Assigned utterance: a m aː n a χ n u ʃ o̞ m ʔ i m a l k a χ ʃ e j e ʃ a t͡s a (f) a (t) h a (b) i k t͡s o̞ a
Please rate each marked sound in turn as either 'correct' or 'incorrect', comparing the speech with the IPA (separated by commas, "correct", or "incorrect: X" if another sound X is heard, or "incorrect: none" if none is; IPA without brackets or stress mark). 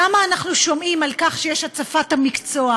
correct, correct, incorrect: m